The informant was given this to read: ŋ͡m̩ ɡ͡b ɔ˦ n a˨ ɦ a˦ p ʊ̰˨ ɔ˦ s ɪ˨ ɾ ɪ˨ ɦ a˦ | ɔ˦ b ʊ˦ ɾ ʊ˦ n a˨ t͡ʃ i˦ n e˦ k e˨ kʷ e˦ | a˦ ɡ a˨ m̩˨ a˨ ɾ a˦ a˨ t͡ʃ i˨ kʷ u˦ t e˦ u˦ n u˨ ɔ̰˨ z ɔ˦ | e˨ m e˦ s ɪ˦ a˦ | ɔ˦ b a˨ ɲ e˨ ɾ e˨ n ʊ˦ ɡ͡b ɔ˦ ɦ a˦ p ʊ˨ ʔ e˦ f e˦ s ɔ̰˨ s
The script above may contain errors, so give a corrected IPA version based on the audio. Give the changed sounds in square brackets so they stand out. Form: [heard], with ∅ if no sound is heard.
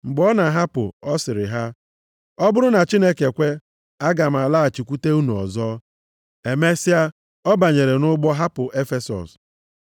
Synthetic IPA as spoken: ŋ͡m̩ ɡ͡b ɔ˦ n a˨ ɦ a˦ p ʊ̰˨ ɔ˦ s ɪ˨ ɾ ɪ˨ ɦ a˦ | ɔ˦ b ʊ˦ ɾ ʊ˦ n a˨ t͡ʃ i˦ n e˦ k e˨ kʷ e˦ | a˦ ɡ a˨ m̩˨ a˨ [l] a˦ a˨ t͡ʃ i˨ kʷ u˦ t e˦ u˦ n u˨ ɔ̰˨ z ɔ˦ | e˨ m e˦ s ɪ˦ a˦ | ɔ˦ b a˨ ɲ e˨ ɾ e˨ n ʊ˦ ɡ͡b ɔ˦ ɦ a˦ p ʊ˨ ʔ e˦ f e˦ s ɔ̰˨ s